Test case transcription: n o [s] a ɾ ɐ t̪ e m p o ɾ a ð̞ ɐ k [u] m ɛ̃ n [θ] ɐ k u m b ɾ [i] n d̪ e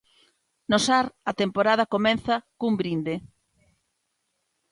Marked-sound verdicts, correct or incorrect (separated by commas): correct, incorrect, correct, correct